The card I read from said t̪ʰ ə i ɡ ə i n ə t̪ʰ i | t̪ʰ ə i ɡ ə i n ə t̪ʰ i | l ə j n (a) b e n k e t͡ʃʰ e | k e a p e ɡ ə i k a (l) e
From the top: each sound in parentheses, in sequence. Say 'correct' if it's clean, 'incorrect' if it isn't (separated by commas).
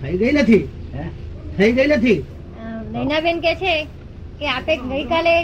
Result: correct, correct